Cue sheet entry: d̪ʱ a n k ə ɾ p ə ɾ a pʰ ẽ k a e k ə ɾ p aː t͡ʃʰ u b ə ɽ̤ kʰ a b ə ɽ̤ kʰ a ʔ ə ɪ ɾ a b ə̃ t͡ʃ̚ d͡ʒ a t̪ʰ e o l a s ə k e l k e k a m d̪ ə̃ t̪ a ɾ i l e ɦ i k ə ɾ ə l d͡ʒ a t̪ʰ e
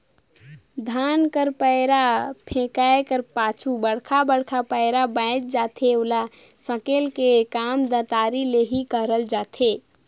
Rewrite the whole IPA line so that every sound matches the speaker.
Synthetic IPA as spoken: d̪ʱ a n k ə ɾ p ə ɾ a pʰ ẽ k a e k ə ɾ p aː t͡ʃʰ u b ə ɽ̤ kʰ a b ə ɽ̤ kʰ a p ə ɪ ɾ a b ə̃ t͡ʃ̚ d͡ʒ a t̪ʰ e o l a s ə k e l k e k a m d̪ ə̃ t̪ a ɾ i l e ɦ i k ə ɾ ə l d͡ʒ a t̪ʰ e